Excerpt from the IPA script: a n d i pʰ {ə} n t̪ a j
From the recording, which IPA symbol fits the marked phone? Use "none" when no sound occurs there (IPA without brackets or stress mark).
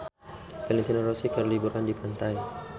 a